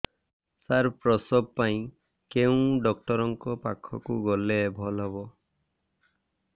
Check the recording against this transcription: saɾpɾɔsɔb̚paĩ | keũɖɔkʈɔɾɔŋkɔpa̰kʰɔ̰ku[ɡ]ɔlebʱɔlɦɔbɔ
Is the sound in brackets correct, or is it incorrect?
correct